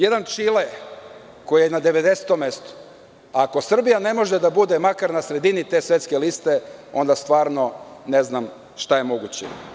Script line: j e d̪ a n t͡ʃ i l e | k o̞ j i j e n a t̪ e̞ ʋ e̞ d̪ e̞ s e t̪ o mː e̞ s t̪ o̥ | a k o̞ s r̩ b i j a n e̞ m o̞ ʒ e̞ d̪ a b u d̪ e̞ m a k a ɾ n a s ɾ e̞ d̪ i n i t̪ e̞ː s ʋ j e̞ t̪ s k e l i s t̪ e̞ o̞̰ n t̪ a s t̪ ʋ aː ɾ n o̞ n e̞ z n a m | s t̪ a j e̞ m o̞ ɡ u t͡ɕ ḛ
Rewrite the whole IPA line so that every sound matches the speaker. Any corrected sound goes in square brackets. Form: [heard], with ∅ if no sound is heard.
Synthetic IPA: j e d̪ a n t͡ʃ i l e | k o̞ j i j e n a [d̪] e̞ ʋ e̞ d̪ e̞ s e t̪ o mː e̞ s t̪ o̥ | a k o̞ s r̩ b i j a n e̞ m o̞ ʒ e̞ d̪ a b u d̪ e̞ m a k a ɾ n a s ɾ e̞ d̪ i n i t̪ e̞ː s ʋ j e̞ t̪ s k e l i s t̪ e̞ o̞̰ n [d̪] a s t̪ ʋ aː ɾ n o̞ n e̞ z n a m | [ʃ] t̪ a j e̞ m o̞ ɡ u t͡ɕ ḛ